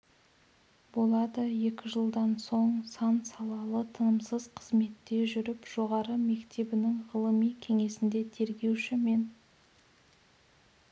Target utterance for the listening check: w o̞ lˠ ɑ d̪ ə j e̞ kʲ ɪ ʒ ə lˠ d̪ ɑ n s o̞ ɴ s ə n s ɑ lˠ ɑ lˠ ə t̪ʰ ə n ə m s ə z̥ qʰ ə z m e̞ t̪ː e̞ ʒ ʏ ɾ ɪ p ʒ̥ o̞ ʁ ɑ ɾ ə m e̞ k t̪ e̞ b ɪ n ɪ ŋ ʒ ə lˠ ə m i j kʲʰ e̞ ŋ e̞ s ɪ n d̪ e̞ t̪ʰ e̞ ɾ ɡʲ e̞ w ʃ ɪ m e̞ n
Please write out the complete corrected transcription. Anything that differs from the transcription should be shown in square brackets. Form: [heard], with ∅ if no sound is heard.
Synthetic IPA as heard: [b] o̞ lˠ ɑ d̪ ə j e̞ kʲ ɪ ʒ ə lˠ d̪ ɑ n s o̞ ɴ s [ɑ] n s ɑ lˠ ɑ lˠ ə t̪ʰ ə n ə m s ə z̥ qʰ ə z m e̞ t̪ː e̞ ʒ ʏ ɾ ɪ p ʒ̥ o̞ ʁ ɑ ɾ ə m e̞ k t̪ e̞ b ɪ n ɪ ŋ [ʁ] ə lˠ ə m i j kʲʰ e̞ ŋ e̞ s ɪ n d̪ e̞ t̪ʰ e̞ ɾ ɡʲ e̞ w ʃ ɪ m e̞ n